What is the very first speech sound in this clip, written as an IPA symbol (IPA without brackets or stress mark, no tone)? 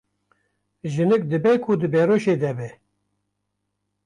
ʒ